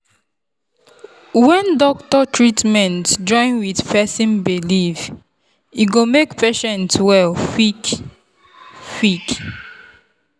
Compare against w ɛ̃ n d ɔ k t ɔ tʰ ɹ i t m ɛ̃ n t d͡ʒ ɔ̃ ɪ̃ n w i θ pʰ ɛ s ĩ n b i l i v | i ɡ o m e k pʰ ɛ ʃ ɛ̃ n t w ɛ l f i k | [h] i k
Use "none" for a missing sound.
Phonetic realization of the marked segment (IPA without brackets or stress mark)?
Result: f